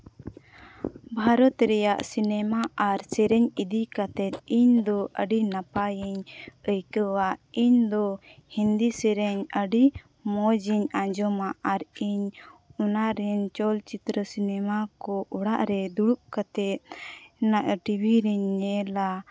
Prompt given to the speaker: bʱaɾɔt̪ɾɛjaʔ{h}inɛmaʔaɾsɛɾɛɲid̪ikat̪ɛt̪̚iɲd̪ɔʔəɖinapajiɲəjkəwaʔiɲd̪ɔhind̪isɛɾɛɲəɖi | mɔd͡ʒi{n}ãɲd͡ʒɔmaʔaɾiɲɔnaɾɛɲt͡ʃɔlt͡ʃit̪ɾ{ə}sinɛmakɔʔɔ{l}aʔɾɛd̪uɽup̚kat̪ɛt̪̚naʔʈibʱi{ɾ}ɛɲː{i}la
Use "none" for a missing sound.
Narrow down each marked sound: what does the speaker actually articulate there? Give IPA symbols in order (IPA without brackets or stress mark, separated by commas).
s, ɲ, ə, ɽ, ɾ, ɛ